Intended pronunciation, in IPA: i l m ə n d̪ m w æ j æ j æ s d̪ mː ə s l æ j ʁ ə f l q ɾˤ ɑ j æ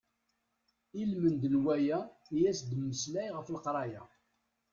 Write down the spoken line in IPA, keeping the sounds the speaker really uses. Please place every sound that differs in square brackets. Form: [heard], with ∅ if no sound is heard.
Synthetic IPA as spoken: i l m ə n d̪ [n] w æ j æ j æ s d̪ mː ə s l æ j ʁ ə f l q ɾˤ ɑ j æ